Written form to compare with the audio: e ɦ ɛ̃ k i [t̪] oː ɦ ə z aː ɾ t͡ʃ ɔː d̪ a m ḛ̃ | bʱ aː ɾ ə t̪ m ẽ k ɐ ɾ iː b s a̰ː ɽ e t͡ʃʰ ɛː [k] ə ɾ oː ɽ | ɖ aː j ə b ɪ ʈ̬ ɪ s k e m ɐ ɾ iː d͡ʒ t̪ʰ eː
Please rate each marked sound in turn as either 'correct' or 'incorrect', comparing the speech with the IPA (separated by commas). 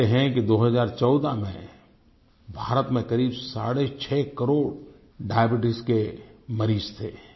incorrect, correct